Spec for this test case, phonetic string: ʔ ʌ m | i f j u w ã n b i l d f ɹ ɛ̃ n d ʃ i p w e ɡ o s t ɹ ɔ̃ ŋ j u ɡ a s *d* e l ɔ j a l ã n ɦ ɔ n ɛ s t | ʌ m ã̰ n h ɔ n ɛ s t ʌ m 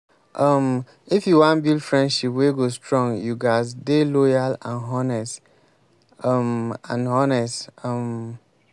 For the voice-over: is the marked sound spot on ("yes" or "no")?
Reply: yes